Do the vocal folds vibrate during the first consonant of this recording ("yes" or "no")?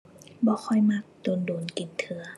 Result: yes